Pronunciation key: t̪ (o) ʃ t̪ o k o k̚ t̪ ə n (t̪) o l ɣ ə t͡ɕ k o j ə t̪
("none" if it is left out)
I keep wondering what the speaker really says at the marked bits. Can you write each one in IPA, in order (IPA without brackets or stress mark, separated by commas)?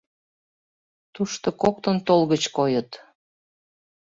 u, t̪